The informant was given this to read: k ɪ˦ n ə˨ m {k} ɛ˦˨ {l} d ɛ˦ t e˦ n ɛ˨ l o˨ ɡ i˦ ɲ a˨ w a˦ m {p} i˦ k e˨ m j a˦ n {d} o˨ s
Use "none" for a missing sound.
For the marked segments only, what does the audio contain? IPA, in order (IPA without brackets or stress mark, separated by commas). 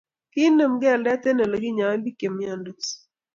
ɡ, l, b, d